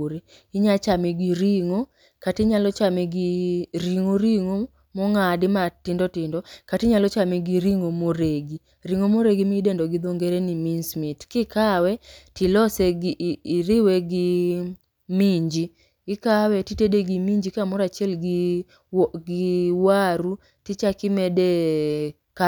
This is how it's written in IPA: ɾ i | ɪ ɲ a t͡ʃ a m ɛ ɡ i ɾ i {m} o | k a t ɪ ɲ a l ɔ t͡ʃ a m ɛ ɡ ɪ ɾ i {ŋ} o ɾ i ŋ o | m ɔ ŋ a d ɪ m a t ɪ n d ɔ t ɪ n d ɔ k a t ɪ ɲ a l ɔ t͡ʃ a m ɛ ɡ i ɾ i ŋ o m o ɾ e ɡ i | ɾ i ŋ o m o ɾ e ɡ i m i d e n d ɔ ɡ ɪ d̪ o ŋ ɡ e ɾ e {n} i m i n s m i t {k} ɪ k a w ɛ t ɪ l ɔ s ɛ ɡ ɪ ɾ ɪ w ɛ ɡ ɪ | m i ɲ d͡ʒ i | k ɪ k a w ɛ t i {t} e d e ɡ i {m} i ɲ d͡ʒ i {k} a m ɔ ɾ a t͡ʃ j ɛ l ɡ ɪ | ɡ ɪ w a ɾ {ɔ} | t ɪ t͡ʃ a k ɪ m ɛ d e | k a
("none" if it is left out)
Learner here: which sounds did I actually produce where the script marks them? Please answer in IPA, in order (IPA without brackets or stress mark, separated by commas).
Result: ŋ, ŋ, n, k, t, m, k, u